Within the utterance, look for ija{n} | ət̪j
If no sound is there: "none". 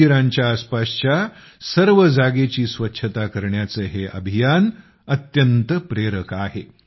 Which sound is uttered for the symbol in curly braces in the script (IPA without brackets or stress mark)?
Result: n